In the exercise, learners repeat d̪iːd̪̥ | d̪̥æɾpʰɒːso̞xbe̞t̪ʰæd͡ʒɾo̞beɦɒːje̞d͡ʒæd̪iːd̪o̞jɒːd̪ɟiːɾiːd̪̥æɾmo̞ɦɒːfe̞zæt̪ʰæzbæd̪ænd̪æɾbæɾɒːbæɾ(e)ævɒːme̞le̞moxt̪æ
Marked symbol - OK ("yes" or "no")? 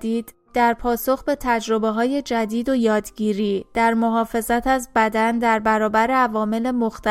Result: yes